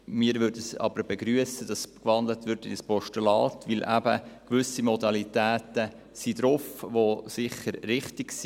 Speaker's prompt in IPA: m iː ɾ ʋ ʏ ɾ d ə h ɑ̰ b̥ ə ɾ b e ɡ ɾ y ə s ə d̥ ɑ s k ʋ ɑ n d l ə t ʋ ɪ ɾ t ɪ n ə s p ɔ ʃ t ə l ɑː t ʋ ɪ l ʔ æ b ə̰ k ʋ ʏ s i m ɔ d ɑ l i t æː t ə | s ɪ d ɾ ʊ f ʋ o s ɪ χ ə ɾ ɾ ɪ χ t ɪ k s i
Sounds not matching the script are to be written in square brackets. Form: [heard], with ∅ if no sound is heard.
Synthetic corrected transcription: m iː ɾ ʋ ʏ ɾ d ə [s] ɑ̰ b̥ ə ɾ b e ɡ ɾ y ə s ə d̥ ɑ s k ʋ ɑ n d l ə t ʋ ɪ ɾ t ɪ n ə s p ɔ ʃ t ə l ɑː t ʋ ɪ l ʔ æ b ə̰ k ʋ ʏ s i m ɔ d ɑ l i t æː t ə | s [i] d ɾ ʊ f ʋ o s ɪ χ ə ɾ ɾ ɪ χ t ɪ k s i